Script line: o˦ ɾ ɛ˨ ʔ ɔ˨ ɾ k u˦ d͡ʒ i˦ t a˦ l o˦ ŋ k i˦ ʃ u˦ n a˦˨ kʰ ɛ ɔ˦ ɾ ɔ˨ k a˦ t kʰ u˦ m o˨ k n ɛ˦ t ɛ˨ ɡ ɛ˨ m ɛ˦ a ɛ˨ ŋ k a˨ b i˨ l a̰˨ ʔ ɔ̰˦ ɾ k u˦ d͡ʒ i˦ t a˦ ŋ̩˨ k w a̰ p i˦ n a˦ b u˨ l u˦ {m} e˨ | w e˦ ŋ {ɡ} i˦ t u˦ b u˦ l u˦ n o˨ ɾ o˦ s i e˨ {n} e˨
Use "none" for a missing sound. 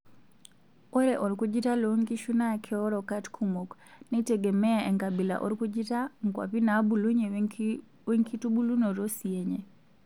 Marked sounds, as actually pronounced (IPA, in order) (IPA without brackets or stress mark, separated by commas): ɲ, k, ɲ